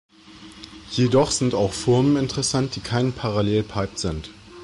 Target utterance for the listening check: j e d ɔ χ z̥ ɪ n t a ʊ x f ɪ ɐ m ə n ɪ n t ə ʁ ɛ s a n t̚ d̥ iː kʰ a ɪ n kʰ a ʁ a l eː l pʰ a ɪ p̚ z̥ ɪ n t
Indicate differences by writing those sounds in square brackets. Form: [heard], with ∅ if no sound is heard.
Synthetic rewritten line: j e d ɔ χ z̥ ɪ n t a ʊ x f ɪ ɐ m ə n ɪ n t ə ʁ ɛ s a n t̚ d̥ iː kʰ a ɪ n [pʰ] a ʁ a l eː l pʰ a ɪ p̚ z̥ ɪ n t

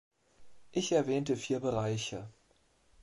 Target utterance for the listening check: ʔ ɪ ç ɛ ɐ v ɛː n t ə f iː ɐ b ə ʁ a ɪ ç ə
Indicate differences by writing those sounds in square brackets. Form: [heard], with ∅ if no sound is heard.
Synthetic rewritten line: ʔ ɪ ç ɛ ɐ v ɛː n t ə f iː ɐ b ə ʁ a ɪ ç ə

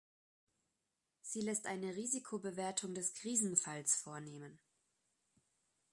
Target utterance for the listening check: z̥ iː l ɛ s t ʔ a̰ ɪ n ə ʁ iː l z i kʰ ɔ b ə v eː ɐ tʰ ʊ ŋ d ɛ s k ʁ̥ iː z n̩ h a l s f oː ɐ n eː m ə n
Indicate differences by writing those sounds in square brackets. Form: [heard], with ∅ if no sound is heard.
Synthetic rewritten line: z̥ iː l ɛ s t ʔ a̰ ɪ n ə ʁ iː [∅] z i kʰ [o] b ə v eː ɐ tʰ ʊ ŋ d ɛ s k ʁ̥ iː z n̩ [f] a l s f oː ɐ n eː m ə n

